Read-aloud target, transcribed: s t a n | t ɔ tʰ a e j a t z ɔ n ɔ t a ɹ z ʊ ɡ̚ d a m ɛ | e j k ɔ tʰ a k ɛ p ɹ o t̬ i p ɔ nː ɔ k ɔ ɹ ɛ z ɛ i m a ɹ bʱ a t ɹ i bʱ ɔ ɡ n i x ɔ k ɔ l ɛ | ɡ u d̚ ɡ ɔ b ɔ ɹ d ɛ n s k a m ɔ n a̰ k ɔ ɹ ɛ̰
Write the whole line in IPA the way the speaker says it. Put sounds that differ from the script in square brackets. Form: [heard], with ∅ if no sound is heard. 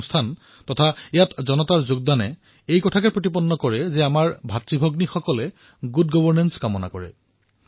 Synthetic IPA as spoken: s [tʰ] a n | t ɔ tʰ a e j a t z ɔ n ɔ t a ɹ z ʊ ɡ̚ d a [n] ɛ | e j k ɔ tʰ a k ɛ p ɹ o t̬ i p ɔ nː ɔ k ɔ ɹ ɛ z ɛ [a] m a ɹ bʱ a t ɹ i bʱ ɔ ɡ n i x ɔ k ɔ l ɛ | ɡ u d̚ ɡ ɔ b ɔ ɹ [n] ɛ n s k a m ɔ n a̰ k ɔ ɹ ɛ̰

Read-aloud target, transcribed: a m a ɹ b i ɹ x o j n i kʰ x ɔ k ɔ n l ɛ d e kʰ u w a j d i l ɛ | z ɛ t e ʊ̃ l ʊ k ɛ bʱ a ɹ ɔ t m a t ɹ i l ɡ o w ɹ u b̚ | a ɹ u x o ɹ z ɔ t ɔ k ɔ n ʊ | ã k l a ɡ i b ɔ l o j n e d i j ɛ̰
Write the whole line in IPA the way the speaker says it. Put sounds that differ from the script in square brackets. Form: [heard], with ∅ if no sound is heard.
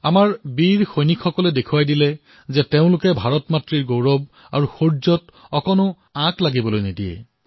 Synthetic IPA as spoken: a m a ɹ b i ɹ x o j n i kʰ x ɔ k ɔ [∅] l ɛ d e kʰ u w a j d i l ɛ | z ɛ t e ʊ̃ l ʊ k ɛ bʱ a ɹ ɔ t m a t ɹ i [ɹ] ɡ o w ɹ [ɔ] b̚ | a ɹ u x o ɹ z ɔ t ɔ k ɔ n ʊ | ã k l a ɡ i b ɔ l o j n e d i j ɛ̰

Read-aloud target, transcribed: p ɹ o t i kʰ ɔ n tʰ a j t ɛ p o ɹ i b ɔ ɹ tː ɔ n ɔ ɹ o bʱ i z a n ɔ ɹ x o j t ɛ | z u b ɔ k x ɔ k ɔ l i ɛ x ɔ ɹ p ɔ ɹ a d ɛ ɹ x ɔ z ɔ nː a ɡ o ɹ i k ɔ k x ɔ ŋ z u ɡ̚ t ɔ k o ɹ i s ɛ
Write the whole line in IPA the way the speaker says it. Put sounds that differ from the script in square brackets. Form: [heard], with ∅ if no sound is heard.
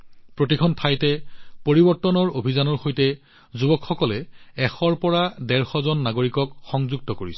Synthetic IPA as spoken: p ɹ o t i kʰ ɔ n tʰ a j t ɛ p o ɹ i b ɔ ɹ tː ɔ n ɔ ɹ o bʱ i z a n ɔ ɹ x o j t ɛ | z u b ɔ k x ɔ k ɔ l [ɛ] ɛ x ɔ ɹ p ɔ ɹ a d ɛ ɹ x ɔ z ɔ nː a ɡ o ɹ i k ɔ k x ɔ ŋ z u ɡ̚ t ɔ k o ɹ i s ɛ

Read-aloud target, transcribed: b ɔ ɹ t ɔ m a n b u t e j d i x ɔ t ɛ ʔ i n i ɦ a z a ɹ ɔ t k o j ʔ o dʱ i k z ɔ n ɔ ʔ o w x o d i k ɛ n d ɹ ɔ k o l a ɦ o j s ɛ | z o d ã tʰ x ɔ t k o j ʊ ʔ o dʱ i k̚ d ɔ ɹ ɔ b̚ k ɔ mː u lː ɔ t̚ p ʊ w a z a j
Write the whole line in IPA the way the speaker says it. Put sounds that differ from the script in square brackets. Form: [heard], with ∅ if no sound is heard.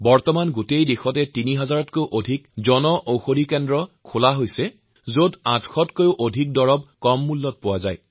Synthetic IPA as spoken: b ɔ ɹ t ɔ m a n [ɡ] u t e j d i x ɔ t ɛ [t] i n i ɦ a z a ɹ ɔ t k o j ʔ o dʱ i k z ɔ n ɔ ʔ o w x o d i k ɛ n d ɹ ɔ [kʰ] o l a ɦ o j s ɛ | z o d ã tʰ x ɔ t k o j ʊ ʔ o dʱ i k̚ d ɔ ɹ ɔ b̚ k ɔ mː u lː ɔ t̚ p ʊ w a z a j

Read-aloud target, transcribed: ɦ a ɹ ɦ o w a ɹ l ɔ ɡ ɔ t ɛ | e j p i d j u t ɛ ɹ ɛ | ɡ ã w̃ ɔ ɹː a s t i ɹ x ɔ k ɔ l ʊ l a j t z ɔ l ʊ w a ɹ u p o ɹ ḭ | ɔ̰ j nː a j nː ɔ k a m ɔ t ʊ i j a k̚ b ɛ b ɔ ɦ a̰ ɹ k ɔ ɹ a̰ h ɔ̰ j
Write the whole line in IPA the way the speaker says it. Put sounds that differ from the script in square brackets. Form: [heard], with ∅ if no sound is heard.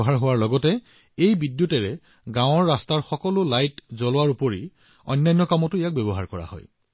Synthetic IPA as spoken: ɦ a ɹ ɦ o w a ɹ l ɔ ɡ ɔ t ɛ | e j [b] i d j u t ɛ ɹ ɛ | ɡ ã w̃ ɔ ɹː a s t [a] ɹ x ɔ k ɔ l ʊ l a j t z ɔ l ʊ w a ɹ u p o ɹ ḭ | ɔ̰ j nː a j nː ɔ k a m ɔ t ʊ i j a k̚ b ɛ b ɔ ɦ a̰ ɹ k ɔ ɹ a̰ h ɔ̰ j

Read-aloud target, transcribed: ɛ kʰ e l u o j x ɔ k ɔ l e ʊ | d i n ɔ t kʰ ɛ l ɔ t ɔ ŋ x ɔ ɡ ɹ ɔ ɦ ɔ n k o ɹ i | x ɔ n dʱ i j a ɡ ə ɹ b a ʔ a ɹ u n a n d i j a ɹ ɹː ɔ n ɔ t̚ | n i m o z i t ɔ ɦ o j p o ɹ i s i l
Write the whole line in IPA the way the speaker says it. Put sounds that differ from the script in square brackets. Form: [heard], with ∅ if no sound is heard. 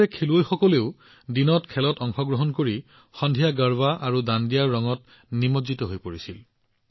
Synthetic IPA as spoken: ɛ kʰ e l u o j x ɔ k ɔ l e ʊ | d i n ɔ t kʰ ɛ l ɔ t ɔ ŋ x ɔ ɡ ɹ ɔ ɦ ɔ n k o ɹ i | x ɔ n dʱ i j a ɡ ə ɹ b a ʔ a ɹ u [d] a n d i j a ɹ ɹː ɔ [ŋ] ɔ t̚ | n i m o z i t ɔ ɦ o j p o ɹ i s i l

